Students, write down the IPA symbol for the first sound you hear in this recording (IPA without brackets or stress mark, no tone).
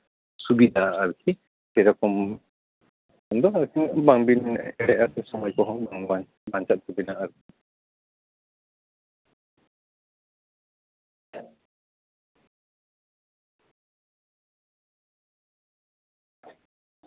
s